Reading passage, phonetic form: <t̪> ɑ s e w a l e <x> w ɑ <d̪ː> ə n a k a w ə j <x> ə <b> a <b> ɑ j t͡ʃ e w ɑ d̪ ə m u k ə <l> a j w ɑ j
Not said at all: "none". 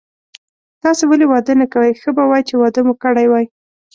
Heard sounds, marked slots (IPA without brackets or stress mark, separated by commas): t̪, none, d̪, x, b, w, ɽ